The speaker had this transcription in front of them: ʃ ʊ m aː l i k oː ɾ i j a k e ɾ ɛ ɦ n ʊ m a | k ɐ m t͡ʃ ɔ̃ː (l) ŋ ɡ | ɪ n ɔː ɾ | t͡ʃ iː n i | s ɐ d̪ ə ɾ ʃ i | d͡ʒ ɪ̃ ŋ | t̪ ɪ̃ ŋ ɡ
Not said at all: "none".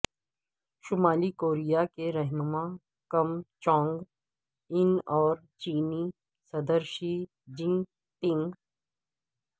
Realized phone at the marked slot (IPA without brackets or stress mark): none